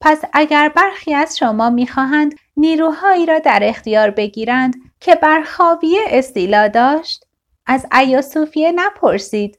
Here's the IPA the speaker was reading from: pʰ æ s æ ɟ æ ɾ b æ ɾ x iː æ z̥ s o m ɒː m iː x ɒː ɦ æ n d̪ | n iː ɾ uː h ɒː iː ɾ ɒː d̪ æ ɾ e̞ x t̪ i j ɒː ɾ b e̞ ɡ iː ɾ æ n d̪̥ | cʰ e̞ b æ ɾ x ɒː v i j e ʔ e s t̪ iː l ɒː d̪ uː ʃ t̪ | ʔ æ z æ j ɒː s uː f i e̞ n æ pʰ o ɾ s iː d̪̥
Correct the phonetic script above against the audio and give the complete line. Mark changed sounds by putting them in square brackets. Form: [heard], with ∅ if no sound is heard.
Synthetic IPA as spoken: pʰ æ s æ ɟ æ ɾ b æ ɾ x iː æ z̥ [ʃ] o m ɒː m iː x ɒː ɦ æ n d̪ | n iː ɾ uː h ɒː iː ɾ ɒː d̪ æ ɾ e̞ x t̪ i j ɒː ɾ b e̞ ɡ iː ɾ æ n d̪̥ | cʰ e̞ b æ ɾ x ɒː v i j e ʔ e s t̪ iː l ɒː d̪ [ɒː] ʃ t̪ | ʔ æ z æ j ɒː s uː f i e̞ n æ pʰ o ɾ s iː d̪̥